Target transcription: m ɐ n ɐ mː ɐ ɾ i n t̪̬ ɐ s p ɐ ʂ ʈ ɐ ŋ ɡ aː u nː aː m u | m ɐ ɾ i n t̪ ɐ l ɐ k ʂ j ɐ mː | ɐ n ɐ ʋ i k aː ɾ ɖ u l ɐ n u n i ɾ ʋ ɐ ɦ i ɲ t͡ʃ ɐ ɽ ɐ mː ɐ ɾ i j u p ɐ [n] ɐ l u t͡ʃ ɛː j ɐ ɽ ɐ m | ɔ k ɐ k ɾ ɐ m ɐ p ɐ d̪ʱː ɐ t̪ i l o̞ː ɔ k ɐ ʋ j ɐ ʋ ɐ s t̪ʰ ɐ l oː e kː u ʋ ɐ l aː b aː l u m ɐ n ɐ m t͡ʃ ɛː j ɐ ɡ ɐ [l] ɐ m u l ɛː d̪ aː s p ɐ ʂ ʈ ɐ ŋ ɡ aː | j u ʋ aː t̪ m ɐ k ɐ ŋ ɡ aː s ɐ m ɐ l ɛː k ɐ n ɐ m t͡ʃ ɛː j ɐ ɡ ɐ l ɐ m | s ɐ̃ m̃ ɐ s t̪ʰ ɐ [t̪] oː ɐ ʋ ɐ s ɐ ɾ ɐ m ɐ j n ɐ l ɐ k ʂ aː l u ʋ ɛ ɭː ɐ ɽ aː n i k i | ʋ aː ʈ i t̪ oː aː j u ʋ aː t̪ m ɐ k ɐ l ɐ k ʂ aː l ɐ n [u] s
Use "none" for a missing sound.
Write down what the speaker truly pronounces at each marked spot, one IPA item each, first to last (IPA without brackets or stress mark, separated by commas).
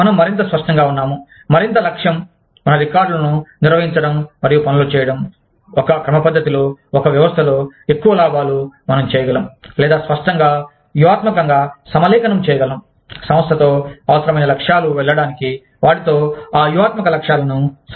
n, l, t̪, u